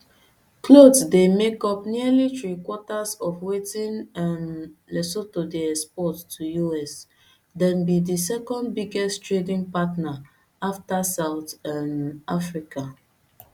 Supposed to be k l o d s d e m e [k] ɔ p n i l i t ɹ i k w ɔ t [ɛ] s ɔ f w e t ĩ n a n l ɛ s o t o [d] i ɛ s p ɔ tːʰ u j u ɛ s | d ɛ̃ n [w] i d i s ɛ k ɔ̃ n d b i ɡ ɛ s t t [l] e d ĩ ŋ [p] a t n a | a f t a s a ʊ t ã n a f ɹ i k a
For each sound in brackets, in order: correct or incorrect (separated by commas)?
correct, incorrect, correct, incorrect, incorrect, correct